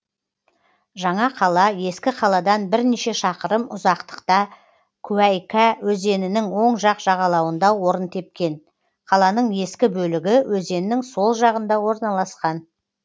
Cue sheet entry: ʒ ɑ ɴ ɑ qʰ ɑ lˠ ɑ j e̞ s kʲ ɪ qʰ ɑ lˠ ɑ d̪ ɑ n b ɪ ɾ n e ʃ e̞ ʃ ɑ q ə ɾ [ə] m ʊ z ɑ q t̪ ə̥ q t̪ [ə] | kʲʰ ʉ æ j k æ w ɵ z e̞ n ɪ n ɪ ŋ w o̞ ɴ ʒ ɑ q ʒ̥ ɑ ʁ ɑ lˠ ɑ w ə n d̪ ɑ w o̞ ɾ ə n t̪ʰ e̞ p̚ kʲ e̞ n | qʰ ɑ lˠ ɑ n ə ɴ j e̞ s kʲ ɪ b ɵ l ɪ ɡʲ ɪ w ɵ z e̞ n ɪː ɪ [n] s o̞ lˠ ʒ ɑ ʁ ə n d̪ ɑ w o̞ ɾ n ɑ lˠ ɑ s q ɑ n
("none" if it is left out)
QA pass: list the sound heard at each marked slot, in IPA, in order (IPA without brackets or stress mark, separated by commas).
ə, ɑ, ŋ